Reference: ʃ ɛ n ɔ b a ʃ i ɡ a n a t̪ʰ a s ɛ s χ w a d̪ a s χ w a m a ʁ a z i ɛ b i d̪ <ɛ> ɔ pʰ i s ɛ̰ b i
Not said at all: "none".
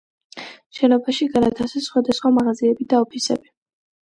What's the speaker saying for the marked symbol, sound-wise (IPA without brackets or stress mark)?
a